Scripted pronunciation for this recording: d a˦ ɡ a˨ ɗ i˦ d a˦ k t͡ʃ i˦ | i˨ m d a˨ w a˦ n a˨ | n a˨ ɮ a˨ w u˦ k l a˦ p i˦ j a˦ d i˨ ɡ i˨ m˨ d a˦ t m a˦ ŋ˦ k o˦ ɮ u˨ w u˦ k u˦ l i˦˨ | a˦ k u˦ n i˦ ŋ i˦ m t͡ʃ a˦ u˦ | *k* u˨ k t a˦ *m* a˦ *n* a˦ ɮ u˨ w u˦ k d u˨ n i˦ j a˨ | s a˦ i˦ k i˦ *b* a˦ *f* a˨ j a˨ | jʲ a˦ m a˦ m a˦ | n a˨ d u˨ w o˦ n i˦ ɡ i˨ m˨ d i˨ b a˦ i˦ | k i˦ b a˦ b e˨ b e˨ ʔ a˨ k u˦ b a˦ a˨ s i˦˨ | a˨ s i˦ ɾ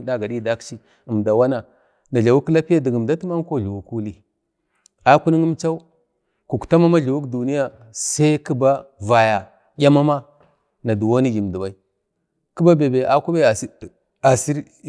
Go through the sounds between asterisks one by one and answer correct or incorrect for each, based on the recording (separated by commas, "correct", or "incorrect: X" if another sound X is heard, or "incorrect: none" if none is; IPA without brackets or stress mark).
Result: correct, correct, incorrect: m, correct, incorrect: v